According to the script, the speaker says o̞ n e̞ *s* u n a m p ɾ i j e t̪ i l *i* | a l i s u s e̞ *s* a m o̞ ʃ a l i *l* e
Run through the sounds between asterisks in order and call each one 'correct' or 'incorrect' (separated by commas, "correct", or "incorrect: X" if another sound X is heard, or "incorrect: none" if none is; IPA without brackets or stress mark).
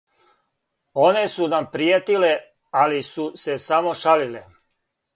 correct, incorrect: e, correct, correct